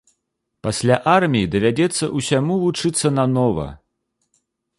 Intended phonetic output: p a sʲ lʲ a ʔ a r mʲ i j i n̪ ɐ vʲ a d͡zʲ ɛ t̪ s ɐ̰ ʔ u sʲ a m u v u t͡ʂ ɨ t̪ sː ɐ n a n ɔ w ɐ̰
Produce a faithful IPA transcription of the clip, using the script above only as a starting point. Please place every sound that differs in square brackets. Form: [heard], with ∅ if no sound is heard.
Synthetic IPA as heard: p a sʲ lʲ a ʔ a r mʲ i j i [d̪] ɐ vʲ a d͡zʲ ɛ t̪ [sː] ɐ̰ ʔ u sʲ a m u v u t͡ʂ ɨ t̪ sː ɐ n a n ɔ [v] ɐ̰